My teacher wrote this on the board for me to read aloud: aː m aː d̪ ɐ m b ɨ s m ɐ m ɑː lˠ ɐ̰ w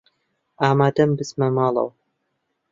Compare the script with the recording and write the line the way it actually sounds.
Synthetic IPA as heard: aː m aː d̪ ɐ m b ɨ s m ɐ m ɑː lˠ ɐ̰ w